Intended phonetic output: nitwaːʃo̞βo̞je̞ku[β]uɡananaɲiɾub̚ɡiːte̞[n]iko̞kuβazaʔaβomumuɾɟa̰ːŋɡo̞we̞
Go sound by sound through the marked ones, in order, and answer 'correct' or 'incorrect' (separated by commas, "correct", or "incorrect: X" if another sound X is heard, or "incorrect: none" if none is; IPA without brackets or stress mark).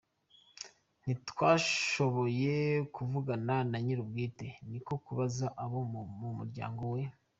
incorrect: v, correct